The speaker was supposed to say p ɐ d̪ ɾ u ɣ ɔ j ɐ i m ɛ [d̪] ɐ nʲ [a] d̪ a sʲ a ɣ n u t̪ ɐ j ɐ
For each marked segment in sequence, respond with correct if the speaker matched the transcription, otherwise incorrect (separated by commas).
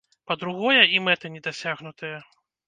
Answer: incorrect, incorrect